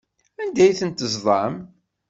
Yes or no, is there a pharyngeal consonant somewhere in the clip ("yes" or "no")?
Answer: no